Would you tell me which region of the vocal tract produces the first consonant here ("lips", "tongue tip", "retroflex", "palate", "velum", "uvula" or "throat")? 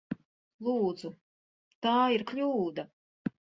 tongue tip